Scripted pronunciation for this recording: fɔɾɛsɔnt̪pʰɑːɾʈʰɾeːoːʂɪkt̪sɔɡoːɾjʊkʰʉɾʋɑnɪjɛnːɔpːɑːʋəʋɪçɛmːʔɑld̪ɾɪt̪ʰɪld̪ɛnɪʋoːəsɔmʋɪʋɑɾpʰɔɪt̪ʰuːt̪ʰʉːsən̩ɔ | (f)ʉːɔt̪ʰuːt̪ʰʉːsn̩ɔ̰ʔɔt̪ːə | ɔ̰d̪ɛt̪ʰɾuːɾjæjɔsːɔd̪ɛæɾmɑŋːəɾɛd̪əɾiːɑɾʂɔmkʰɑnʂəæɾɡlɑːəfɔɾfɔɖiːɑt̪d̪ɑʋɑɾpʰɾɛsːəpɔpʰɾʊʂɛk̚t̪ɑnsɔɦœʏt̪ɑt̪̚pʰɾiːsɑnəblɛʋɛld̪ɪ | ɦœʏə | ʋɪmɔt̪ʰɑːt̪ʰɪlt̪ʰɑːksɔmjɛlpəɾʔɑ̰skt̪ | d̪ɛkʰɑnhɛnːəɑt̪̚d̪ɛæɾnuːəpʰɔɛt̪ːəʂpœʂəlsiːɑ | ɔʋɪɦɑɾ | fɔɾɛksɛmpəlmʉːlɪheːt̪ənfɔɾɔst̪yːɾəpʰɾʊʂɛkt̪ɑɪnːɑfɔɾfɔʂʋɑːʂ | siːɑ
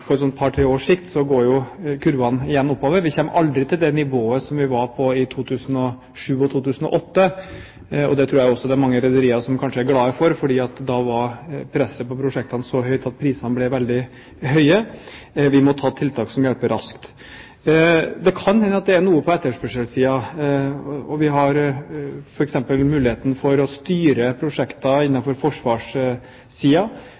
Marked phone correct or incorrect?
incorrect